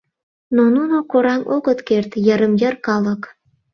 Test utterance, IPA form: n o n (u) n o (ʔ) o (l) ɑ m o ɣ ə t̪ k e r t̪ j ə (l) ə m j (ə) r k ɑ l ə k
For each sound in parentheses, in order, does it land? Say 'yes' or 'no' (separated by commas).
yes, no, no, no, yes